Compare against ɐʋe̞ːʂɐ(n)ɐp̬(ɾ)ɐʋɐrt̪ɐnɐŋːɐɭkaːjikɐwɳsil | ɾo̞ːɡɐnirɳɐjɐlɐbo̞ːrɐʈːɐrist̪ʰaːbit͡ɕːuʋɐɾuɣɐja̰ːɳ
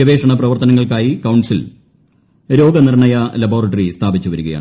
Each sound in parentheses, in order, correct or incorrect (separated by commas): incorrect, incorrect